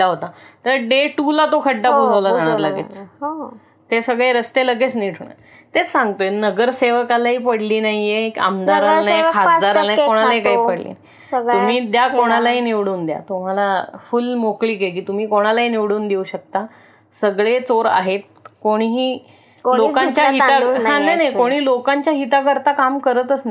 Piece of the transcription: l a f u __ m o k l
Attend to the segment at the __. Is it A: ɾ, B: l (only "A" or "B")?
B